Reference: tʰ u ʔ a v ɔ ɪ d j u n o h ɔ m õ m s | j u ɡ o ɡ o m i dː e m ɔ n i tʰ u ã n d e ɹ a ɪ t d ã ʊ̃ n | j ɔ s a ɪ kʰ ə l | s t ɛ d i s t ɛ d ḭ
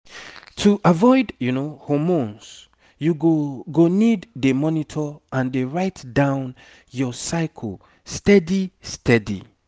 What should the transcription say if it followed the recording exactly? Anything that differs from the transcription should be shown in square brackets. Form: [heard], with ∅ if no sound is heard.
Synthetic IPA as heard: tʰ u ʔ a v ɔ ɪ d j u n o h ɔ m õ [n] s | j u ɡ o ɡ o [n] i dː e m ɔ n i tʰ [ɔ] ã n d e ɹ a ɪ t d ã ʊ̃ n | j ɔ s a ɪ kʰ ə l | s t ɛ d i s t ɛ d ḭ